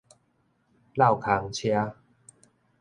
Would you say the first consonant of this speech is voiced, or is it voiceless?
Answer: voiced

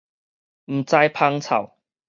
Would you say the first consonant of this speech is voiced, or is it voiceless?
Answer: voiced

